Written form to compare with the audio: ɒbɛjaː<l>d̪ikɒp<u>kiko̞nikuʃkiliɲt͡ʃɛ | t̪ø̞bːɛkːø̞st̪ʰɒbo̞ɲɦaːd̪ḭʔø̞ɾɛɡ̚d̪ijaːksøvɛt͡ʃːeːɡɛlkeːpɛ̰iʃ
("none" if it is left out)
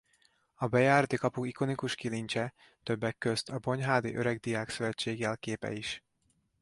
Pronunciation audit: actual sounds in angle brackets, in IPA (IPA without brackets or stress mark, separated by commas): r, u